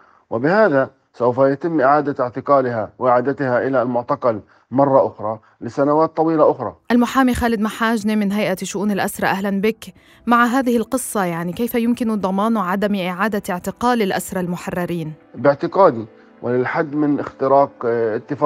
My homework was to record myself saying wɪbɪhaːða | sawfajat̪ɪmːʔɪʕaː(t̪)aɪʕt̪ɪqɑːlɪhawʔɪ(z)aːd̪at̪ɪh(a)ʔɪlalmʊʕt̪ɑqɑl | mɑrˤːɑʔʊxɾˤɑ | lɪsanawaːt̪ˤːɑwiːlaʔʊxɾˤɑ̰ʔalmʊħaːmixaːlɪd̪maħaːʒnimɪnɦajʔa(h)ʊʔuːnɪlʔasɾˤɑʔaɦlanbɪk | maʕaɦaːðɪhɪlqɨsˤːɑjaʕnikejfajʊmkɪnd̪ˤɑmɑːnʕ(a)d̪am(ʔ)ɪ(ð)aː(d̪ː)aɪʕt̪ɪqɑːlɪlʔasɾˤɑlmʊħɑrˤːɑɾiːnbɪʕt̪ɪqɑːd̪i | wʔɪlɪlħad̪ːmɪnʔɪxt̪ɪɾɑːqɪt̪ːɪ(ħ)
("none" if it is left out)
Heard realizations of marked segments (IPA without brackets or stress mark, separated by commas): d̪, ʕ, a, ʃ, a, ʔ, ʕ, d̪, f